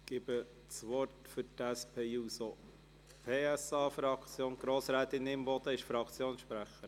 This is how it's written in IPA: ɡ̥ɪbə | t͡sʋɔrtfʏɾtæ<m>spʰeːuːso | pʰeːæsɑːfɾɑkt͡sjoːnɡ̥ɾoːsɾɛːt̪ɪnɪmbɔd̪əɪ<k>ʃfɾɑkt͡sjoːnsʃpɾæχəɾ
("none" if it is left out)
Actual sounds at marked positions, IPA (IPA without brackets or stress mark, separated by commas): none, none